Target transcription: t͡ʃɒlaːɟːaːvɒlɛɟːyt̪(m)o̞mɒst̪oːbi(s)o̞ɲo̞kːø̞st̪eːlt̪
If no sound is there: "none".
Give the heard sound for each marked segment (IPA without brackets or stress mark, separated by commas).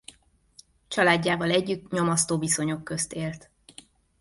ɲ, s